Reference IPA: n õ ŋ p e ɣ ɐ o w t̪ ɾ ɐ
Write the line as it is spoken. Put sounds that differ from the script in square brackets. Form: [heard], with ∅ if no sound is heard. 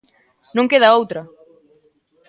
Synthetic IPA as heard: n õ ŋ [k] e [ð] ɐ o w t̪ ɾ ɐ